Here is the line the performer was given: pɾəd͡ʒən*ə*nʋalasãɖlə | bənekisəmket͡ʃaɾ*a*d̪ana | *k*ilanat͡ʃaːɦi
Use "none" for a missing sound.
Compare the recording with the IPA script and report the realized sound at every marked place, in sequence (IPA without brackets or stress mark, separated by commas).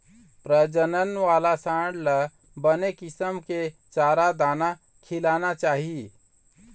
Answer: ə, a, kʰ